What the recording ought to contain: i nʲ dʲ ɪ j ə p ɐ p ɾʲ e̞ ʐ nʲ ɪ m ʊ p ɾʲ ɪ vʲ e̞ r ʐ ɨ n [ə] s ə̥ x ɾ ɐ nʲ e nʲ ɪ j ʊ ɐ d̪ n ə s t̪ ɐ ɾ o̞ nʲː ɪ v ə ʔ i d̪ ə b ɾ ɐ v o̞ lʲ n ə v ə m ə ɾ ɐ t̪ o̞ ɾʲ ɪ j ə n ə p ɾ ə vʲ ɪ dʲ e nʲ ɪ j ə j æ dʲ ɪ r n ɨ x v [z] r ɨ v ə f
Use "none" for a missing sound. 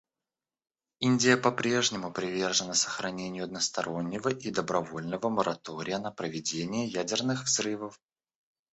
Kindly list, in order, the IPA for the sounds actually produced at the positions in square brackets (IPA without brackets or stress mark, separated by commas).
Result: ə, z